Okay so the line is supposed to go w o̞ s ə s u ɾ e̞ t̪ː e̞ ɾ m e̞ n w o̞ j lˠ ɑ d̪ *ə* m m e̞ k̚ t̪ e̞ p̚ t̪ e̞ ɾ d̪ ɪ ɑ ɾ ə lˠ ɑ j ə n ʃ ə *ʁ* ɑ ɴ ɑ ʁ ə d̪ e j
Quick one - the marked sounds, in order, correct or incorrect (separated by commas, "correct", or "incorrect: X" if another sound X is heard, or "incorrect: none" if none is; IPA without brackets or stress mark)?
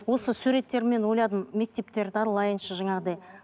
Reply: correct, incorrect: ʒ